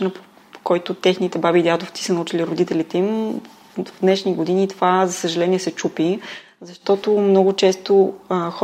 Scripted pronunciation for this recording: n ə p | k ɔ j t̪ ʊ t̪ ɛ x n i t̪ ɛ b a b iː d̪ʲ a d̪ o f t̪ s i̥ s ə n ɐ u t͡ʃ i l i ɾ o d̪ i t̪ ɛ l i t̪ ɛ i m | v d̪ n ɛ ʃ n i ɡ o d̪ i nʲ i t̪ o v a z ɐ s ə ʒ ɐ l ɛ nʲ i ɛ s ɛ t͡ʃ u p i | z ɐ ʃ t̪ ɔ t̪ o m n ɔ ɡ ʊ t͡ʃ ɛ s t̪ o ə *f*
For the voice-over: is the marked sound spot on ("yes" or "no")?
no